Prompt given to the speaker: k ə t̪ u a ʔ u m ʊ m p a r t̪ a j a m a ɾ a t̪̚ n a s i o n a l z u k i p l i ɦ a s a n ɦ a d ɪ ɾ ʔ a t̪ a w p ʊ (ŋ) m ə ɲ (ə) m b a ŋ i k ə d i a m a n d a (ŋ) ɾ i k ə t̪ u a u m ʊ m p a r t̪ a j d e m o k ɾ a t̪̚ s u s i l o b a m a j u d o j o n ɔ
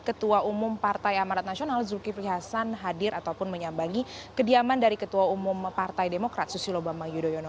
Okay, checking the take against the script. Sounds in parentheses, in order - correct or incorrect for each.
incorrect, incorrect, incorrect

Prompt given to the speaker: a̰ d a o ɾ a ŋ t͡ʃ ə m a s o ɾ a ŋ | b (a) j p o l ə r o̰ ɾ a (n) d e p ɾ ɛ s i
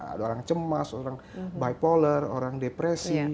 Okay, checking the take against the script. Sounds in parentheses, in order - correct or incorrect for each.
correct, incorrect

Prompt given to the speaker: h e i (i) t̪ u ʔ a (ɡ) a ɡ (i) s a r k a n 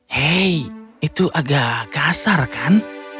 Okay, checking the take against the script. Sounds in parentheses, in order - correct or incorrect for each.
correct, correct, incorrect

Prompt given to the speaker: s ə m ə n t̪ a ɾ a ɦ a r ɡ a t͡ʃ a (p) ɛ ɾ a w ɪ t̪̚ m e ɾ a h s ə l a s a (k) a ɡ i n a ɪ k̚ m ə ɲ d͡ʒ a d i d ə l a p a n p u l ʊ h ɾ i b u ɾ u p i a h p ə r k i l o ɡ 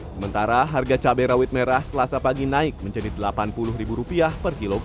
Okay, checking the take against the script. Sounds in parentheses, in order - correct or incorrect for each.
incorrect, incorrect

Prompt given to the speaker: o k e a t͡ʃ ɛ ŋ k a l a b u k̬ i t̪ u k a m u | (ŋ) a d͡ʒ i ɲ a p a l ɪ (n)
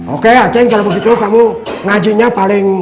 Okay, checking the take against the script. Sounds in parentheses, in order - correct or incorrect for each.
correct, incorrect

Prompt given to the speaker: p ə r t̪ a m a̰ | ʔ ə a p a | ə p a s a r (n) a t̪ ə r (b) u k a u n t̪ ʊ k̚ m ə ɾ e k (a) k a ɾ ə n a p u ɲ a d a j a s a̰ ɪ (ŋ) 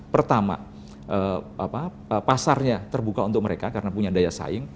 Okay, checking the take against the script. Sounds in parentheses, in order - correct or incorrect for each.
incorrect, correct, correct, correct

